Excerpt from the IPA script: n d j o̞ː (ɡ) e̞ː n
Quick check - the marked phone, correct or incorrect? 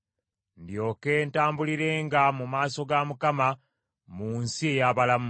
incorrect